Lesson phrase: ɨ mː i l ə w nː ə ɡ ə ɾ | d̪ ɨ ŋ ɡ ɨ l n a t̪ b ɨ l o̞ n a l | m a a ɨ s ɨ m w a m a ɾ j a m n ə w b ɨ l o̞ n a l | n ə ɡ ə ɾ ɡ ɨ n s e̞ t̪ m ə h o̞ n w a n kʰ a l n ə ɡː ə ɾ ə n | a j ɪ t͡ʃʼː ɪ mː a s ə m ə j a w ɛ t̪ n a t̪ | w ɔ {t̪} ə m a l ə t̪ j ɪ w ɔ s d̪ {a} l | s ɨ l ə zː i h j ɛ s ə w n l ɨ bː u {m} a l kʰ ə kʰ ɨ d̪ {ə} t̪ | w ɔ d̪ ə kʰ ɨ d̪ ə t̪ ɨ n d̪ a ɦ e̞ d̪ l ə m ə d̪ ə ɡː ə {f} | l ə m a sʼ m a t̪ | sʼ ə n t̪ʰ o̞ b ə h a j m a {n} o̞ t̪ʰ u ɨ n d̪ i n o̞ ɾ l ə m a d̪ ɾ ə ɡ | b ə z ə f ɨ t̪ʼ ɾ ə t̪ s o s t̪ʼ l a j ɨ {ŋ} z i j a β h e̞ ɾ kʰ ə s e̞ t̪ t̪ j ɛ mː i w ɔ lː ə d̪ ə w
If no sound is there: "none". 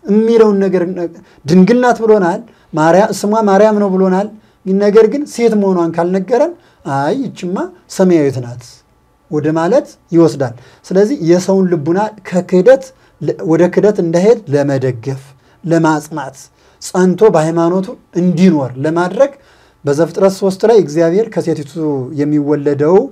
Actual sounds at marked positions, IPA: d̪, a, n, ə, f, n, ɡ

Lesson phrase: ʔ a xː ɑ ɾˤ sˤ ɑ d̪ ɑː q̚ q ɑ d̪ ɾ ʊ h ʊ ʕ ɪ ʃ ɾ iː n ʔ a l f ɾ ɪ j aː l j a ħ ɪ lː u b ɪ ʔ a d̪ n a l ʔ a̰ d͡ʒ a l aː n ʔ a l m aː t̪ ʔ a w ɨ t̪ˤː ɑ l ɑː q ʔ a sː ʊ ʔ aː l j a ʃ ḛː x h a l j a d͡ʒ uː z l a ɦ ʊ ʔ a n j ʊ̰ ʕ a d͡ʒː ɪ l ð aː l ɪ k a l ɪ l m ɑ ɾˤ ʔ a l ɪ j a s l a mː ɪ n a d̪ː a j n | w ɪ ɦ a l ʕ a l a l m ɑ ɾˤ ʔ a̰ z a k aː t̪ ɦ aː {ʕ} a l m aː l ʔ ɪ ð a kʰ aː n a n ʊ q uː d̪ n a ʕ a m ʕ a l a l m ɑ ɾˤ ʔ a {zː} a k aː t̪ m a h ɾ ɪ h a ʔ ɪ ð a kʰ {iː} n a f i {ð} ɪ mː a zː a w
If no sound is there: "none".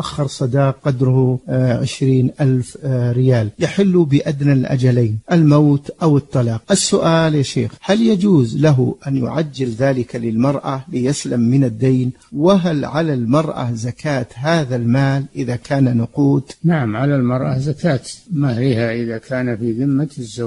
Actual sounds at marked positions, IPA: ð, z, aː, ð

